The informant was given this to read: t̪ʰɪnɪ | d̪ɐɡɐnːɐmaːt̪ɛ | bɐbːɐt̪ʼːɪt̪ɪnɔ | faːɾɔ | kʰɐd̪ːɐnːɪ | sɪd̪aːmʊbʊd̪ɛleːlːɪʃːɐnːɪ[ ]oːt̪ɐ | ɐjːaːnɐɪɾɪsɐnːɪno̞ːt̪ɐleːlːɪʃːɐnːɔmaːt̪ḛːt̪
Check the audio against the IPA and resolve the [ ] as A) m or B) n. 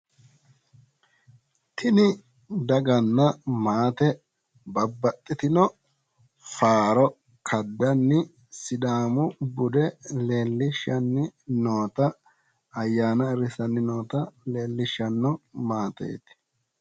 B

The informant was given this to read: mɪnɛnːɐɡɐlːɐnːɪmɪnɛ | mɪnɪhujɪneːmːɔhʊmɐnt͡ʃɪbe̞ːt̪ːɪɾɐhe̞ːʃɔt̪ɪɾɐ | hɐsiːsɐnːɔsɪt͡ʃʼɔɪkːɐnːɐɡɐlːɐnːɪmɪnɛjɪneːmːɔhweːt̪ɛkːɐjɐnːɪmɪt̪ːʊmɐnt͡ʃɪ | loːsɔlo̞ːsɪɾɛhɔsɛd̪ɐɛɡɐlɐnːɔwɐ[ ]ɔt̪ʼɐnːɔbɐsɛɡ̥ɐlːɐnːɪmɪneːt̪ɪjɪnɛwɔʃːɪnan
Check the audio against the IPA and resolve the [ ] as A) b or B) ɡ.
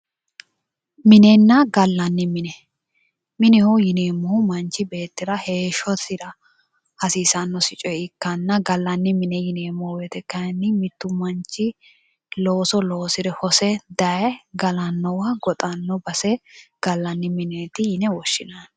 B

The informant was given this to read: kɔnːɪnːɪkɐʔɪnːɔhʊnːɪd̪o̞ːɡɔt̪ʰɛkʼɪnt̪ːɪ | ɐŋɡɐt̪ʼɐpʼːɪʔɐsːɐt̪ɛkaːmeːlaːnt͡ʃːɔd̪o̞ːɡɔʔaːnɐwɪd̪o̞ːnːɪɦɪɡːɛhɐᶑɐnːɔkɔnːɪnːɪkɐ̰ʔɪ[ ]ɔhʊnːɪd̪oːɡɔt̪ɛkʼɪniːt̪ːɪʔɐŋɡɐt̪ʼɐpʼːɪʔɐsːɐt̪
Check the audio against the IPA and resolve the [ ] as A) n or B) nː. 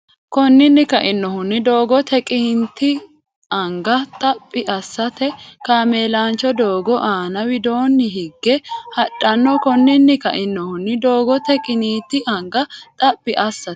B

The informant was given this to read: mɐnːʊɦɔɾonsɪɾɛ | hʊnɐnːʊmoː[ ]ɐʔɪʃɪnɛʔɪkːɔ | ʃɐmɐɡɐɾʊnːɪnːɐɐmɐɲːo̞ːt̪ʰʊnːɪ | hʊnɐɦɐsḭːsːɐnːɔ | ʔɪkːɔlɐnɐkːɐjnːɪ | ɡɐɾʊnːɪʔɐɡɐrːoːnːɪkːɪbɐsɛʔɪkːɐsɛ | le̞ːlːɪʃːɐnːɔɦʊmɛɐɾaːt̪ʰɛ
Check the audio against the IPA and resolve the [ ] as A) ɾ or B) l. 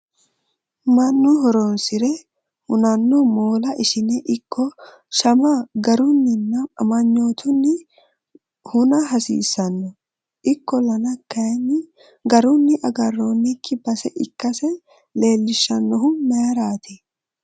B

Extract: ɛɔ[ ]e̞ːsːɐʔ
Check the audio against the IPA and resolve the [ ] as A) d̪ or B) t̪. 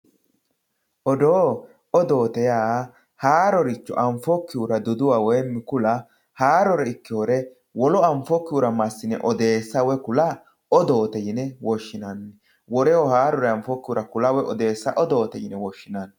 A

